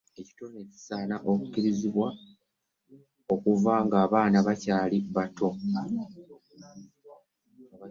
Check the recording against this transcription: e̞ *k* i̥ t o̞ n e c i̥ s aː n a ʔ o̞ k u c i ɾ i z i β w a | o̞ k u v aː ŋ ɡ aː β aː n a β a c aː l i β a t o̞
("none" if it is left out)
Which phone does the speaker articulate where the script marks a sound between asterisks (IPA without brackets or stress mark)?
c